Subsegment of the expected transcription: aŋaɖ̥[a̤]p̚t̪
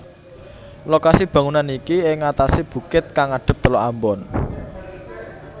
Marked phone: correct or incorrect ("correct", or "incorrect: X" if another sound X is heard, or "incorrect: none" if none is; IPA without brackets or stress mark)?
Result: incorrect: ə̤